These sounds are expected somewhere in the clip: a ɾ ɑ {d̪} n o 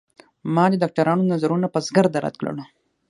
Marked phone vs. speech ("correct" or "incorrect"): incorrect